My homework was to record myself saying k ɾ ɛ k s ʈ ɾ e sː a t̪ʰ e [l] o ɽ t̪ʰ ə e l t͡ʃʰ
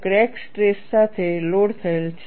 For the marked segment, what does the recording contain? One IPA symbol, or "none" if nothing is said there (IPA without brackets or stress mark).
l